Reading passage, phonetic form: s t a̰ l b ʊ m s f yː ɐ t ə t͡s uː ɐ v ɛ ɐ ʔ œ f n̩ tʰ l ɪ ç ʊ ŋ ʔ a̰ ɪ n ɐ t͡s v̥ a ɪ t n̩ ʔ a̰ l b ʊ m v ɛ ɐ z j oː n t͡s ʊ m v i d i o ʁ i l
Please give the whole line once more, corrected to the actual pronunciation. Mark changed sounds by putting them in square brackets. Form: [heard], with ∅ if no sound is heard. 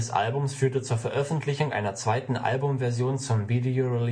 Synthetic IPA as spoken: s [ʔ] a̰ l b ʊ m s f yː ɐ t ə t͡s uː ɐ [f] ɛ ɐ ʔ œ f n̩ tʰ l ɪ ç ʊ ŋ ʔ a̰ ɪ n ɐ t͡s v̥ a ɪ t n̩ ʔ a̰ l b ʊ m v ɛ ɐ z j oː n t͡s ʊ m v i d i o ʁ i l

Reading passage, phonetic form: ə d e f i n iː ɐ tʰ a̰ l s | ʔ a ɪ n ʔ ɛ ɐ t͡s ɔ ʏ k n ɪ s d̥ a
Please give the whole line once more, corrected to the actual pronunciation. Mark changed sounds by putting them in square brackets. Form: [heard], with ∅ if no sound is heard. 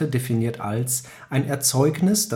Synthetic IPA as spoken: ə d e f i n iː ɐ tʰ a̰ l s | ʔ a ɪ n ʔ ɛ ɐ t͡s ɔ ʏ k n ɪ s d̥ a

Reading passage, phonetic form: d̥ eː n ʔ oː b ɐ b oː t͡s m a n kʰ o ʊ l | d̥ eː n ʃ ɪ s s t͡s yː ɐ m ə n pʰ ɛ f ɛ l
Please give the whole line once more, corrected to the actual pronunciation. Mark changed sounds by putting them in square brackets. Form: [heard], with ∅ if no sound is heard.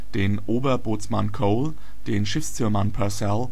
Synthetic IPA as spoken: d̥ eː n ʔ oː b ɐ b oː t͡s m a n kʰ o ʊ l | d̥ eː n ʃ ɪ [f] s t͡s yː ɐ m [a] n pʰ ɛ [s] ɛ l

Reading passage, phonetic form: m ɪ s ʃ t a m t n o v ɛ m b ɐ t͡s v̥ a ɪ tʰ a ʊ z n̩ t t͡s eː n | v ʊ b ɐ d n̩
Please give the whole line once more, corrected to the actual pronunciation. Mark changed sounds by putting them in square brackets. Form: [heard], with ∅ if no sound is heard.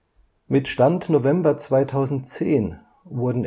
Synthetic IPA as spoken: m ɪ [t] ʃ t a [n] t n o v ɛ m b ɐ t͡s v̥ a ɪ tʰ a ʊ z n̩ t t͡s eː n | v ʊ [∅] ɐ d n̩

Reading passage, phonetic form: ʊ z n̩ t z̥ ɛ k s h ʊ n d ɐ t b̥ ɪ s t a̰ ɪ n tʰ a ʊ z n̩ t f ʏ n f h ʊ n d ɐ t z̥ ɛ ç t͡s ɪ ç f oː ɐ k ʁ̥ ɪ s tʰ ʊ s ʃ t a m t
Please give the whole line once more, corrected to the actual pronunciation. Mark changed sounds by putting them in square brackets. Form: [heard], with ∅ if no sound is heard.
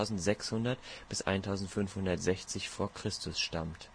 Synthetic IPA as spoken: ʊ z n̩ t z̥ ɛ k s h ʊ n d ɐ t b̥ ɪ s [ʔ] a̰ ɪ n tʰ a ʊ z n̩ t f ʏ n f h ʊ n d ɐ t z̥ ɛ ç t͡s ɪ ç f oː ɐ k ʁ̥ ɪ s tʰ ʊ s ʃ t a m t

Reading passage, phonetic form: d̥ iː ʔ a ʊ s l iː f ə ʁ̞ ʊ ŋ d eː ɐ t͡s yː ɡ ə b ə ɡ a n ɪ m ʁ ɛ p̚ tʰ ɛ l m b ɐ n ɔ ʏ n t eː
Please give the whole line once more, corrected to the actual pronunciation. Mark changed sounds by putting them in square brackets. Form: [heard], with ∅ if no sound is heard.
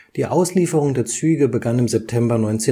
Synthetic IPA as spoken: d̥ iː ʔ a ʊ s l iː f ə ʁ̞ ʊ ŋ d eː ɐ t͡s yː ɡ ə b ə ɡ a n ɪ m [z] ɛ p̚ tʰ ɛ [∅] m b ɐ n ɔ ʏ n [t͡s] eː

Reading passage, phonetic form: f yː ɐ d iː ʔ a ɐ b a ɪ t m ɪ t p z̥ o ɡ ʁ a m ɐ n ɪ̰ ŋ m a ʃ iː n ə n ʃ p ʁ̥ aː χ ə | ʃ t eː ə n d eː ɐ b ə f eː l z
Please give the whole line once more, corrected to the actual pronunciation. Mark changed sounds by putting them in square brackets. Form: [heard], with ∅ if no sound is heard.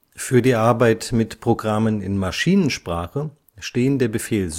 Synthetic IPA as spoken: f yː ɐ d iː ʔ a ɐ b a ɪ t m ɪ t p [ʁ̥] o ɡ ʁ a m [ə] n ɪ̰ [n] m a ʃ iː n ə n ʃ p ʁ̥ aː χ ə | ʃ t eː ə n d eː ɐ b ə f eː l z

